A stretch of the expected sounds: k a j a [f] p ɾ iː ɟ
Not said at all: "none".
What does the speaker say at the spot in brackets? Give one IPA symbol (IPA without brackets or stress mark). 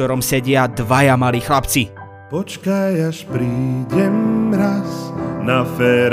ʃ